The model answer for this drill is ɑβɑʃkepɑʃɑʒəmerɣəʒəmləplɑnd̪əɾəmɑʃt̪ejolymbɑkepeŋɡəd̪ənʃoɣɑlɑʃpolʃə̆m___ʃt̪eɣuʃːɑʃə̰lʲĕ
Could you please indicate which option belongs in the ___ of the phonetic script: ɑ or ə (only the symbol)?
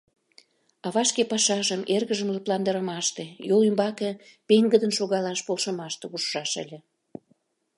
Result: ɑ